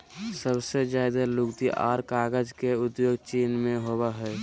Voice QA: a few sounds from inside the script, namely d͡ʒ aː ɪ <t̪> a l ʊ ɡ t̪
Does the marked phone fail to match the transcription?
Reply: yes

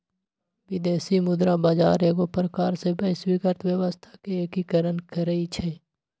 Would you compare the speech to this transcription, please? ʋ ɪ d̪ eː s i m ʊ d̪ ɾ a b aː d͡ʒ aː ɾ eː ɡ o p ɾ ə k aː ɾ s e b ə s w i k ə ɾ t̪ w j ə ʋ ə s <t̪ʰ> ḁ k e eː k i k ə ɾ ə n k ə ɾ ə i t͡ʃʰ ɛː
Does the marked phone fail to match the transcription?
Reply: no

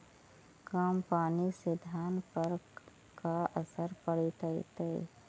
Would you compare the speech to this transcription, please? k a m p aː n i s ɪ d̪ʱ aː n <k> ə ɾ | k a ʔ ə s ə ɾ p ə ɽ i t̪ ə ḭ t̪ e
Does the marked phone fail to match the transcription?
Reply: yes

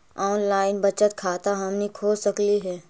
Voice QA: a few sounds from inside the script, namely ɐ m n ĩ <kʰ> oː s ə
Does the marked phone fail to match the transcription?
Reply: no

